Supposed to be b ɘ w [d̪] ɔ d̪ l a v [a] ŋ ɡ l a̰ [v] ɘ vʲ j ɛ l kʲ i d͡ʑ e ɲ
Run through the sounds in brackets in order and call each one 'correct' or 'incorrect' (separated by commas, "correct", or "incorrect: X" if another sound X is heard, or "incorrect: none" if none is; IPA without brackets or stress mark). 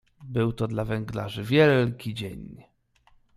incorrect: t̪, incorrect: ɛ, incorrect: ʐ